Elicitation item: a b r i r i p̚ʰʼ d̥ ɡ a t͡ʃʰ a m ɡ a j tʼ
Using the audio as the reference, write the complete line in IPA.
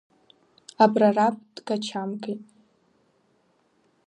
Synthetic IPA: a b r a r a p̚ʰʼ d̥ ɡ a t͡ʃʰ a m ɡ e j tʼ